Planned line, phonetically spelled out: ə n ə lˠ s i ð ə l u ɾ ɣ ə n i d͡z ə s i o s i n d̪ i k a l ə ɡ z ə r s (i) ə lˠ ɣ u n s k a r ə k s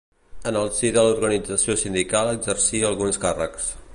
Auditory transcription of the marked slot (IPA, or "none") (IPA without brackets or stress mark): i